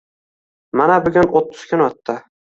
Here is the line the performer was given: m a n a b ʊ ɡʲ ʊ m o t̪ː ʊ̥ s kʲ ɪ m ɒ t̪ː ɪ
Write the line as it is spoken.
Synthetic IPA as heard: m a n a b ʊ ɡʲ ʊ n o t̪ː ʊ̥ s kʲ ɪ n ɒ t̪ː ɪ